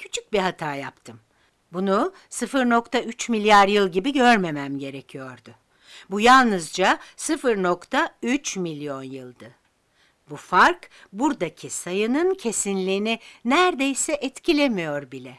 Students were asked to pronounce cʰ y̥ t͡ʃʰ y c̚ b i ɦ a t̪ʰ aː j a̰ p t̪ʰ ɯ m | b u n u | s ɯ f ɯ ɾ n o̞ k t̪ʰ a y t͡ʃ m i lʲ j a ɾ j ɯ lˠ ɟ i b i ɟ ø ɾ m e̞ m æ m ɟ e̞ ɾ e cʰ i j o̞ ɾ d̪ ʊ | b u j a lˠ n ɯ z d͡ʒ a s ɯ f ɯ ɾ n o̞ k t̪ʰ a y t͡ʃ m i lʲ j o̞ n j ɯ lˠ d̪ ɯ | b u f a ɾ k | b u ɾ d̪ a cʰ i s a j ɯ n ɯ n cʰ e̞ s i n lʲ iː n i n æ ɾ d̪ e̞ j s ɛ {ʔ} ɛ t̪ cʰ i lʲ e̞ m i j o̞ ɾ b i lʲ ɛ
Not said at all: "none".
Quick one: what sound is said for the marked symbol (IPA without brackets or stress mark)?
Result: ʔ